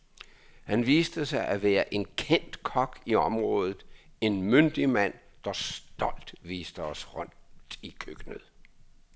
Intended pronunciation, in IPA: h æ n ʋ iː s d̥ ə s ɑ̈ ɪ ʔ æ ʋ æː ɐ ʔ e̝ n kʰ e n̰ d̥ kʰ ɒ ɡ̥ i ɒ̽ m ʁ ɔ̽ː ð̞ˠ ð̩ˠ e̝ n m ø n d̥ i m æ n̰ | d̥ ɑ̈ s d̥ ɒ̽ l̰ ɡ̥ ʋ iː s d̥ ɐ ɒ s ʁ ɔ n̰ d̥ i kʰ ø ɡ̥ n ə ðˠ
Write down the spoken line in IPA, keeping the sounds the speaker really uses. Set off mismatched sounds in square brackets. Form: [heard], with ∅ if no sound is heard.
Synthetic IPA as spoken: h æ n ʋ iː s d̥ ə s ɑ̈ ɪ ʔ æ ʋ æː ɐ ʔ e̝ n kʰ e n̰ d̥ kʰ ɒ ɡ̥ i ɒ̽ m ʁ ɔ̽ː ð̞ˠ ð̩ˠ e̝ n m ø n d̥ i m æ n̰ | d̥ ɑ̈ s d̥ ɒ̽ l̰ [d̥] ʋ iː s d̥ [ə] ɒ s ʁ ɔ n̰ d̥ i kʰ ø ɡ̥ n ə ðˠ